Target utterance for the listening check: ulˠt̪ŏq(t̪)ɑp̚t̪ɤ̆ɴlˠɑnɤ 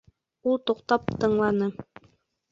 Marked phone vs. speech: correct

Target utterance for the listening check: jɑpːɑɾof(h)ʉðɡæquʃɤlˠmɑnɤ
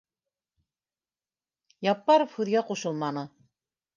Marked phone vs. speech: correct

